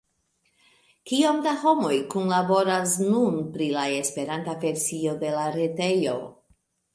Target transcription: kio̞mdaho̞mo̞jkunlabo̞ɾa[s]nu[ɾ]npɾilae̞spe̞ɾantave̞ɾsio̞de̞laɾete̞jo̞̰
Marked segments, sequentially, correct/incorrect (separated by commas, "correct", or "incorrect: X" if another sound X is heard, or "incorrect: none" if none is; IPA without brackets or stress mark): correct, incorrect: none